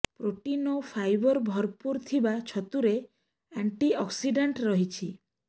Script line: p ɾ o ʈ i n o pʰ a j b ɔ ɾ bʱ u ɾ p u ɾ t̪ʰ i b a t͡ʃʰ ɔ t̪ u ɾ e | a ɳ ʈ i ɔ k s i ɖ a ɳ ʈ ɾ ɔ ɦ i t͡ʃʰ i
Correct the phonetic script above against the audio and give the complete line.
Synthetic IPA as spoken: p ɾ o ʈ i n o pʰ a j b ɔ ɾ bʱ ɔ ɾ p u ɾ t̪ʰ i b a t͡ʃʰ ɔ t̪ u ɾ e | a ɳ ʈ i ɔ k s i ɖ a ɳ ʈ ɾ ɔ ɦ i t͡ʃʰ i